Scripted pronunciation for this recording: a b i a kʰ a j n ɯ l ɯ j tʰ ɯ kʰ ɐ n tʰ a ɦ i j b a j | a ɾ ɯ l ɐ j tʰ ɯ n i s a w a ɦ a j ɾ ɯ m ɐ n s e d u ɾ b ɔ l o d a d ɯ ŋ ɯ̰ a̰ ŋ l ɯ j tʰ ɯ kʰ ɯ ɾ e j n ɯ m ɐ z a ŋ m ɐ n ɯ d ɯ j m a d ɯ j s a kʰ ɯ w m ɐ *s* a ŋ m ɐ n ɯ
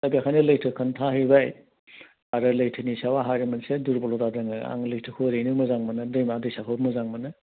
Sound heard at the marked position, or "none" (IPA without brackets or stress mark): z